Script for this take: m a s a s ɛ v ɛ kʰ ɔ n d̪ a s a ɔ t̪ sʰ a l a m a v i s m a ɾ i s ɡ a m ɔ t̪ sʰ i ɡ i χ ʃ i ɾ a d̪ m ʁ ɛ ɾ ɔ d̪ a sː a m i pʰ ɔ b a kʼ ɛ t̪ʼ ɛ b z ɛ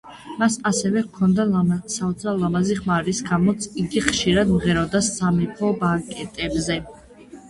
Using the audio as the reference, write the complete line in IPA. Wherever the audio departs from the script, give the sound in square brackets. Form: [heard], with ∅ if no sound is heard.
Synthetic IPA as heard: m a s a s ɛ v ɛ kʰ ɔ n d̪ a s a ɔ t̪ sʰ a l a m a [z] i [χ] m a ɾ i s ɡ a m ɔ t̪ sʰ i ɡ i χ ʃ i ɾ a d̪ m ʁ ɛ ɾ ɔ d̪ a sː a m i pʰ ɔ b a kʼ ɛ t̪ʼ ɛ b z ɛ